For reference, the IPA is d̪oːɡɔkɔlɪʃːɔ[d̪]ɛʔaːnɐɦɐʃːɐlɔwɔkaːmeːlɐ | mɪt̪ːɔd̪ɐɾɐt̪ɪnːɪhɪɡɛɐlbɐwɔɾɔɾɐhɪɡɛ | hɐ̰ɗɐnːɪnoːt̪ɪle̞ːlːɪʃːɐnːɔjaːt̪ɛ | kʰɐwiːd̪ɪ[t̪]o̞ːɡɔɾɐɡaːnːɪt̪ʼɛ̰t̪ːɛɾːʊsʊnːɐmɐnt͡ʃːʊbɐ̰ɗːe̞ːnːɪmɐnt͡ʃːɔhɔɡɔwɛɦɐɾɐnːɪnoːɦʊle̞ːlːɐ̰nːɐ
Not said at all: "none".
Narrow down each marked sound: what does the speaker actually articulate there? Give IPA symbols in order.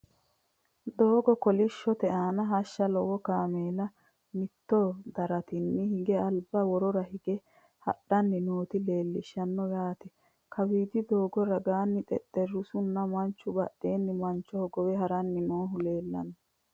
t̪, d̪

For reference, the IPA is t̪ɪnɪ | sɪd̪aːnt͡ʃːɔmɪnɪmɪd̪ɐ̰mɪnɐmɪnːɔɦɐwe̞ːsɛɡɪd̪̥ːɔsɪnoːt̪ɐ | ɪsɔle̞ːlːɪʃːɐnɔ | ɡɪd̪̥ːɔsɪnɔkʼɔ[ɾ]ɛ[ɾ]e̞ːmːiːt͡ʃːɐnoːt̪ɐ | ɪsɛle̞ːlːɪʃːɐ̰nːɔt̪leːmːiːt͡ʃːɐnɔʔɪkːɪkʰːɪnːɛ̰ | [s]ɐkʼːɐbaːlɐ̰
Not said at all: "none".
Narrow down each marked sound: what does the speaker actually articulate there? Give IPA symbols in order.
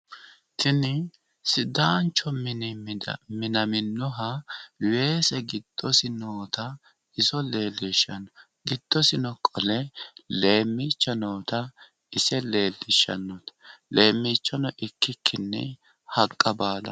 l, l, h

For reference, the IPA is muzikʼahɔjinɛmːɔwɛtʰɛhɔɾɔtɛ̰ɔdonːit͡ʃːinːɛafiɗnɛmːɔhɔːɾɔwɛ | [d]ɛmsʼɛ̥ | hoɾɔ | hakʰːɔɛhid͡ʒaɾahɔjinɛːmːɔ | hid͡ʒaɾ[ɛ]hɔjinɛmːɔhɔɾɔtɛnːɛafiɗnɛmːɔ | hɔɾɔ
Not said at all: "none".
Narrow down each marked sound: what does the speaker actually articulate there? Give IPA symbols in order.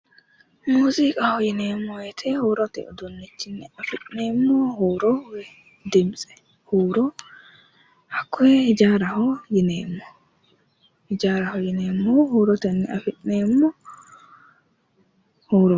d, a

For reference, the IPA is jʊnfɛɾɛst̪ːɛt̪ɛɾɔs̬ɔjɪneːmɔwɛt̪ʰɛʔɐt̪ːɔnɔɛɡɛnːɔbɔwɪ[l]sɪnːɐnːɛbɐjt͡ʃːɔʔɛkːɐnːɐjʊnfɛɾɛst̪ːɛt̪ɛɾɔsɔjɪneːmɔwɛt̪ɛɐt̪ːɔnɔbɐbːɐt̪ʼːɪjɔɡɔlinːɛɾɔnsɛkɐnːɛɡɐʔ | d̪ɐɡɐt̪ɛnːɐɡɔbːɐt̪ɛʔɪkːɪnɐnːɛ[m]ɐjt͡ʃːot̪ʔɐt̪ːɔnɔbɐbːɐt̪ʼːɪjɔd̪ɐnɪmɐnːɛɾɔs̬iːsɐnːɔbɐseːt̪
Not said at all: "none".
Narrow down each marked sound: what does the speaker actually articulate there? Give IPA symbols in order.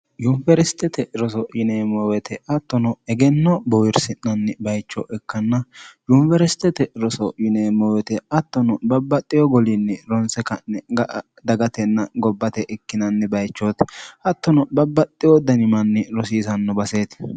ɾ, b

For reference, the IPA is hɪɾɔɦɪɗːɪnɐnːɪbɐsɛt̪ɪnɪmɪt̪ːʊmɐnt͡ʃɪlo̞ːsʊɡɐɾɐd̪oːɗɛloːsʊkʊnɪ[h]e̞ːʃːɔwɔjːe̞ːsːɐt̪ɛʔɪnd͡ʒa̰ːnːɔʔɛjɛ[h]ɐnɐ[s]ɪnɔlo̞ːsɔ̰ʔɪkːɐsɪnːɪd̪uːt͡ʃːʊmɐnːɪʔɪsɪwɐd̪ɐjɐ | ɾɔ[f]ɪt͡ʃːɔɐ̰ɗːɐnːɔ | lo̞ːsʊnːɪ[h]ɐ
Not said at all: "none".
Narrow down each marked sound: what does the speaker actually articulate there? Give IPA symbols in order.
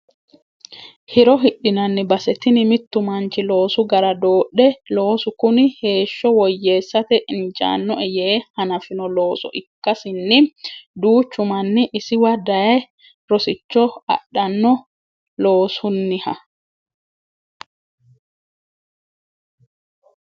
h, h, f, s, h

